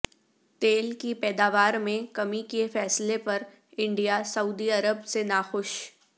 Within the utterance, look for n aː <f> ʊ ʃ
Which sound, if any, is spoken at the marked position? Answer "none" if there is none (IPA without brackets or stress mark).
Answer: x